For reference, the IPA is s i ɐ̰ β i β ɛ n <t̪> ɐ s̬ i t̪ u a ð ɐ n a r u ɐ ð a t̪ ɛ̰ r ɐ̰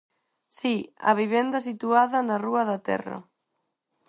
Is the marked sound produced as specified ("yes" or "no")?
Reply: no